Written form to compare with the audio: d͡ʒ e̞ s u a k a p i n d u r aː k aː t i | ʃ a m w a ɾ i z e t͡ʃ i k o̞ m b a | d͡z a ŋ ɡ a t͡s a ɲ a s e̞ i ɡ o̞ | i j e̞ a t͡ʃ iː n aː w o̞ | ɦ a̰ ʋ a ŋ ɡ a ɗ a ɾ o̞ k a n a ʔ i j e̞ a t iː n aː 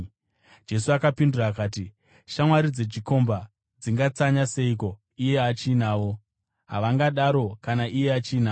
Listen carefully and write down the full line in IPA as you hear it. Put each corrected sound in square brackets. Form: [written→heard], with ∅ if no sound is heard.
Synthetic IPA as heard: d͡ʒ e̞ s u a k a p i n d u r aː k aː t i | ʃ a m w a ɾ i [z→d͡z] e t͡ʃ i k o̞ m b a | d͡z [a→i] ŋ ɡ a t͡s a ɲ a s e̞ i [ɡ→k] o̞ | i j e̞ a t͡ʃ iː n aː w o̞ | ɦ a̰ ʋ a ŋ ɡ a ɗ a ɾ o̞ k a n a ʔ i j e̞ a [t→t͡ʃ] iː n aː